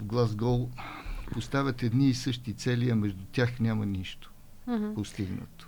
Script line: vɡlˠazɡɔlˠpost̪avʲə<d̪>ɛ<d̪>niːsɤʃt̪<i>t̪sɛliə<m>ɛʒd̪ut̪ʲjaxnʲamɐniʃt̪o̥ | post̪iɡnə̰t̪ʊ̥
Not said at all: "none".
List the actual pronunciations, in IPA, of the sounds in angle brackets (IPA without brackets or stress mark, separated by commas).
t̪, d̪, i, m